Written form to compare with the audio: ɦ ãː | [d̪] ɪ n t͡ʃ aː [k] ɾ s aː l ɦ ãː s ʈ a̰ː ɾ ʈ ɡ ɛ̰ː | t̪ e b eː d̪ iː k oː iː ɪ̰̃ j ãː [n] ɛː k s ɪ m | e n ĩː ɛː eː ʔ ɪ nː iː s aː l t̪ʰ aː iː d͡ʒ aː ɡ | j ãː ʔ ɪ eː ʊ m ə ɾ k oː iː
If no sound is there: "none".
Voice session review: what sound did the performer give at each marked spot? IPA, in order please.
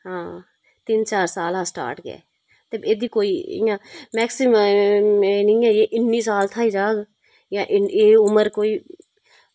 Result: t̪, none, m

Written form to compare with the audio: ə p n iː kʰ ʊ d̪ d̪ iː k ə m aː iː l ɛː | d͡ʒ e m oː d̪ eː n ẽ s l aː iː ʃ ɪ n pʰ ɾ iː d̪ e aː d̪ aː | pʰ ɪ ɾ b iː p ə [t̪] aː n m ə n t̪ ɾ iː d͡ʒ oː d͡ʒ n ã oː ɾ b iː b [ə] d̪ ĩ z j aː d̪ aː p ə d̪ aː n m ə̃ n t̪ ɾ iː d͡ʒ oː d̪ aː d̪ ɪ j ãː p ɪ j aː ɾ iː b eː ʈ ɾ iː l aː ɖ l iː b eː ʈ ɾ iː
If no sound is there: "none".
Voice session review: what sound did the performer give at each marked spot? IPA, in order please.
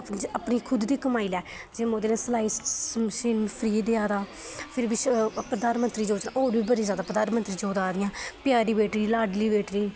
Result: d̪, ə

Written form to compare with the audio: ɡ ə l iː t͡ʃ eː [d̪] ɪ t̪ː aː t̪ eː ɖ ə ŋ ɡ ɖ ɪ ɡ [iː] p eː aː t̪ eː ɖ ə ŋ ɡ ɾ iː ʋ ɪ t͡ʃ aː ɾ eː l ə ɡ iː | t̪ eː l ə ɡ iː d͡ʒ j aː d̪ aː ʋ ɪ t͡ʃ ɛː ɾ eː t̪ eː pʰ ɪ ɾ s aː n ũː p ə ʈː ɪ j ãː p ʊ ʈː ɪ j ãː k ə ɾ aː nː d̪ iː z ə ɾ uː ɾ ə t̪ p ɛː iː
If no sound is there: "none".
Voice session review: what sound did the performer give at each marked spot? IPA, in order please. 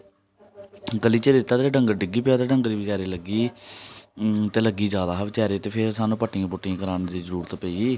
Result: d̪, iː

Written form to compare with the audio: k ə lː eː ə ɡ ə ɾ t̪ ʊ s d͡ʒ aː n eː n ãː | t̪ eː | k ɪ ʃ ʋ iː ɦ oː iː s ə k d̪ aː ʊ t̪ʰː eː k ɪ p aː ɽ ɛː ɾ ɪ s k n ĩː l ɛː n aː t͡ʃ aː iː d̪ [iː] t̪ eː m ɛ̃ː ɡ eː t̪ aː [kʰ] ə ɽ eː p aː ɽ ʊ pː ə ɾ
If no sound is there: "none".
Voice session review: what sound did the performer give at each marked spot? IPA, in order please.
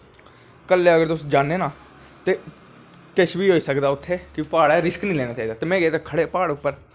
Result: aː, kʰ

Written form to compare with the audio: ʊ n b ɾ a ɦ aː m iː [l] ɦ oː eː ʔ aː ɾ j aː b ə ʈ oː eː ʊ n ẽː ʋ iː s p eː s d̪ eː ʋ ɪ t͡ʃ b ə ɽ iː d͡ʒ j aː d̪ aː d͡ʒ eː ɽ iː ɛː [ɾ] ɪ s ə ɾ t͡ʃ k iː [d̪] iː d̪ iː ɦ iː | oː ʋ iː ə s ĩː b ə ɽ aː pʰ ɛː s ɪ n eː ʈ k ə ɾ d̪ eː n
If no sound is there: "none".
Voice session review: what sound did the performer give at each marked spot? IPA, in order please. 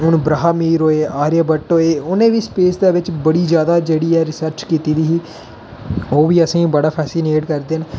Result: ɾ, ɾ, t̪

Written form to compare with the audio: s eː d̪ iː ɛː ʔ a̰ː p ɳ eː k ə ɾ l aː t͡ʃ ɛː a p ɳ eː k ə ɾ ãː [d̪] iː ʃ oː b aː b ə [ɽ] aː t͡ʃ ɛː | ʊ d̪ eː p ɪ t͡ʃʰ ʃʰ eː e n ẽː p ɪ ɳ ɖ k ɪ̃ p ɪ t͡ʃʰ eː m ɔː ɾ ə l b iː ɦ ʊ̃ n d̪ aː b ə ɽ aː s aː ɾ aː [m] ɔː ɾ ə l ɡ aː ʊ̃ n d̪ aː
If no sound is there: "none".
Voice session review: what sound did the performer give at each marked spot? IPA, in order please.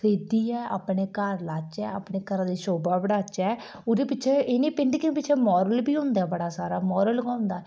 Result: d̪, ɽ, m

